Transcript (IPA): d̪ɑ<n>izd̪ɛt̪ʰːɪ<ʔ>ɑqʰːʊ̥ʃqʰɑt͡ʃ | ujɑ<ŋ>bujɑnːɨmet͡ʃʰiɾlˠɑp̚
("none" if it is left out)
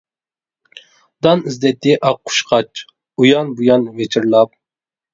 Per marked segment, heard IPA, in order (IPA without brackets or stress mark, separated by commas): n, ʔ, n